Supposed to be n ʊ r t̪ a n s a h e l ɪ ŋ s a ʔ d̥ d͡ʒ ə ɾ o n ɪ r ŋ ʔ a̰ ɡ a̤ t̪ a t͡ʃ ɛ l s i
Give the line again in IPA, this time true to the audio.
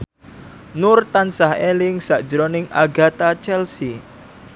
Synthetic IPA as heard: n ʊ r t̪ a n s a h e l ɪ ŋ s a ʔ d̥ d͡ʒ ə ɾ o n ɪ ŋ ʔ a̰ ɡ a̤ t̪ a t͡ʃ ɛ l s i